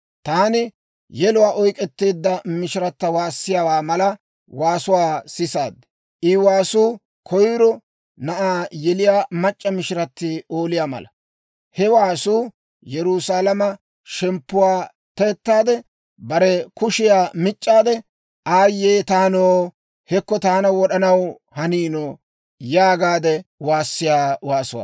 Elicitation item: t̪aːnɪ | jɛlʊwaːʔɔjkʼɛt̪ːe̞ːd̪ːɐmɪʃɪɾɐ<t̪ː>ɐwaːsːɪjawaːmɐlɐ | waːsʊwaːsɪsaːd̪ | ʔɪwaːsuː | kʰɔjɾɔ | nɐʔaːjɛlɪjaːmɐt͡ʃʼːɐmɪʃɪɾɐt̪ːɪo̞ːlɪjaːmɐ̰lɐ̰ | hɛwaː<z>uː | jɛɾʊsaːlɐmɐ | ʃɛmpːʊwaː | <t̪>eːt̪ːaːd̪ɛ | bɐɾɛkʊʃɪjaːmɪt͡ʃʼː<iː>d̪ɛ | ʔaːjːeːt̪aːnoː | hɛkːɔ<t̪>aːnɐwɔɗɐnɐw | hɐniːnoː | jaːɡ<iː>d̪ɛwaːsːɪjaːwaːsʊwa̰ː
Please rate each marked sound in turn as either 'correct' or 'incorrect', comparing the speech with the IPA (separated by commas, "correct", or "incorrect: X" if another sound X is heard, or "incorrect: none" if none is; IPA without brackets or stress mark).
correct, incorrect: s, correct, incorrect: aː, correct, incorrect: aː